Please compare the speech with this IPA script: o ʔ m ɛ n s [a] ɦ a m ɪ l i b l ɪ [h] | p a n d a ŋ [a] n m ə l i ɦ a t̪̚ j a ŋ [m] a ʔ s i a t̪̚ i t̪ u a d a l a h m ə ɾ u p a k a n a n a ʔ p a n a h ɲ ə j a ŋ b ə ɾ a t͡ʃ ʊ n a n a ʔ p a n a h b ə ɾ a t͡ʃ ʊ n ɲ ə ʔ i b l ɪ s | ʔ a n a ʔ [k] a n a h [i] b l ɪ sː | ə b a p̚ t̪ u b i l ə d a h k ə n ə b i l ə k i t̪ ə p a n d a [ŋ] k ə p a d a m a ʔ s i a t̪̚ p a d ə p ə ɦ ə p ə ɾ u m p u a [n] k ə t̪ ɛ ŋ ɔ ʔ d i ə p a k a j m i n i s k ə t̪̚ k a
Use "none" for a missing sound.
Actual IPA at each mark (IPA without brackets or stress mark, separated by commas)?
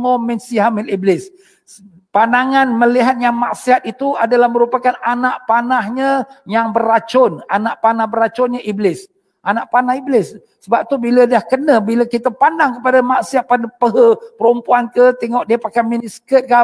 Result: i, s, a, m, p, i, ŋ, n